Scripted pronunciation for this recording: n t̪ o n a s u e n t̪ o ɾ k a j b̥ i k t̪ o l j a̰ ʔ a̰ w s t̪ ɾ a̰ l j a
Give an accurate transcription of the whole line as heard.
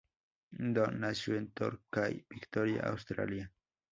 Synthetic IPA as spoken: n d̪ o n a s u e n t̪ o ɾ k a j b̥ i k t̪ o ɾ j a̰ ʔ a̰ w s t̪ ɾ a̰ l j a